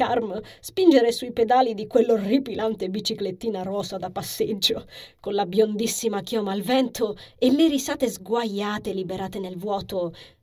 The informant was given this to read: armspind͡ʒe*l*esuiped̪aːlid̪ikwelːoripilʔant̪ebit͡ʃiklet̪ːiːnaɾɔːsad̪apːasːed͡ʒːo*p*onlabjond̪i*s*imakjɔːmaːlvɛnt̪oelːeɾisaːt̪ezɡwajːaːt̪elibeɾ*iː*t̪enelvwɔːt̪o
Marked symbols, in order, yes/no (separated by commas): no, no, no, no